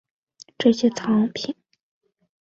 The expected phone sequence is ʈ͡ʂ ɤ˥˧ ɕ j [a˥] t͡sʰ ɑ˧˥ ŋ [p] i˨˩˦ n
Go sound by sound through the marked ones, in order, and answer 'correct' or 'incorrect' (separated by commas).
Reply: incorrect, incorrect